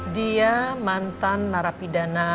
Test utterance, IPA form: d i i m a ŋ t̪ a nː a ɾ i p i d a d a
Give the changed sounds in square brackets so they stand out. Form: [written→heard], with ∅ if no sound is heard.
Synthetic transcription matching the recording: d i [i→a] m a [ŋ→n] t̪ a nː a ɾ [i→a] p i d a [d→n] a